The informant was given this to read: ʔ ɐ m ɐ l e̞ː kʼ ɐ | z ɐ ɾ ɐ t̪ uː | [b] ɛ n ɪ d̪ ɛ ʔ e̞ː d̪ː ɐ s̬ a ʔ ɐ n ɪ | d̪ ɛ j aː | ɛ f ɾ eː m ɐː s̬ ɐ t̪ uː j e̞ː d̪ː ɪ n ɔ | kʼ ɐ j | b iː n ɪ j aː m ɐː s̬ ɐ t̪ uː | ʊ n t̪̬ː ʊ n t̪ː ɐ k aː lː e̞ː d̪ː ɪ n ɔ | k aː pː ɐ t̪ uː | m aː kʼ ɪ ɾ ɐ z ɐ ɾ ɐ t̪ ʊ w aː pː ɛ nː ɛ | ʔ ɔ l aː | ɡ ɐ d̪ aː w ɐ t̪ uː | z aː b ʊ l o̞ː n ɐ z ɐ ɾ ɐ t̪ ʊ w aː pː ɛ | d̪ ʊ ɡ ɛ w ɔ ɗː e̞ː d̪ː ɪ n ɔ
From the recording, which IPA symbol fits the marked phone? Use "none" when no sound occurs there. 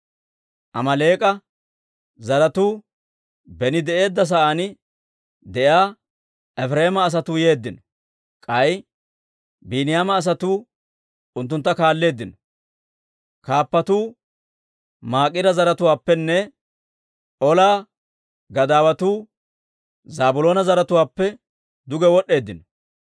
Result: b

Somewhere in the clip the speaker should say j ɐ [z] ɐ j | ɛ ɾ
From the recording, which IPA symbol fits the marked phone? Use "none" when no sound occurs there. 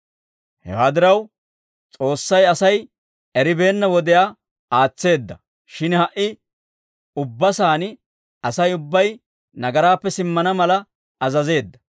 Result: s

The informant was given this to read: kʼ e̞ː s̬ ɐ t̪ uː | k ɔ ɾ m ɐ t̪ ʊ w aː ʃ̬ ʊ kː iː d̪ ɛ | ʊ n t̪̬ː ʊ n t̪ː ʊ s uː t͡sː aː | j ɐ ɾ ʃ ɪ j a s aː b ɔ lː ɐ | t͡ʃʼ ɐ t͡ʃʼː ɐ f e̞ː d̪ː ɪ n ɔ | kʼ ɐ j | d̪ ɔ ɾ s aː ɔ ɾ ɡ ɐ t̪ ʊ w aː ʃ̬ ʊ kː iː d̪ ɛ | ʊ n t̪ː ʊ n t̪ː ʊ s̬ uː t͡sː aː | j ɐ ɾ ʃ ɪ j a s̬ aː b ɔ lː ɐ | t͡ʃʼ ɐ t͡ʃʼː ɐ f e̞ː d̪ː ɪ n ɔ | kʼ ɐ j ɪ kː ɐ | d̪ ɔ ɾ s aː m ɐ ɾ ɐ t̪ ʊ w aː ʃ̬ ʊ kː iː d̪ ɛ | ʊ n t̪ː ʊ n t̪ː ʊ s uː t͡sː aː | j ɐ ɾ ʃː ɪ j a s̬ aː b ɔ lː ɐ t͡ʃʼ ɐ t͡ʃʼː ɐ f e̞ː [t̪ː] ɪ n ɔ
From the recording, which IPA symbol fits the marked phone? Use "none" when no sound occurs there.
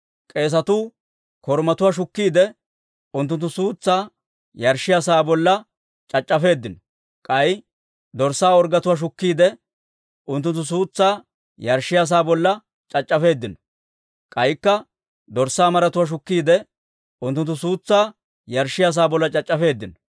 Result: d̪ː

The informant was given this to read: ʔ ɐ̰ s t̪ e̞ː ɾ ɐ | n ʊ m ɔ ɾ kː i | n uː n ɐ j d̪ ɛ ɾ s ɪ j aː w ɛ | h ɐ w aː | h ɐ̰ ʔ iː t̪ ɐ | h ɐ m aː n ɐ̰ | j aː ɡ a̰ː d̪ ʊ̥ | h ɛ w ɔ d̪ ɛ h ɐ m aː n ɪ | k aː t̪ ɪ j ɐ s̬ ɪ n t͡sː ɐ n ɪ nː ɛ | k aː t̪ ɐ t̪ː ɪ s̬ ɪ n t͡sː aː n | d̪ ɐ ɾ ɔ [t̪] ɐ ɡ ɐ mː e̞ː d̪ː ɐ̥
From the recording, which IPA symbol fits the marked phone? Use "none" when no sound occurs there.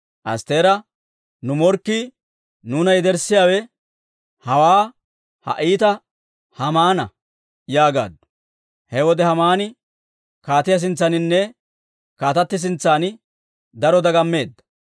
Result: d̪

